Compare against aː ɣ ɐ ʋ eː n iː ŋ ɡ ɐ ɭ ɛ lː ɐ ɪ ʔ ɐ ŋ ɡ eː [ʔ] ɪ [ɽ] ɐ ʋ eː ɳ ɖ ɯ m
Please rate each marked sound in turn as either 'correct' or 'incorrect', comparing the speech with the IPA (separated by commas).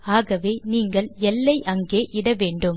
correct, correct